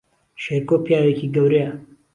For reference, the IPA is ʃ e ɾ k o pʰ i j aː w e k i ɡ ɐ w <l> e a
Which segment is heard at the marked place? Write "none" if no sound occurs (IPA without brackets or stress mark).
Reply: ɾ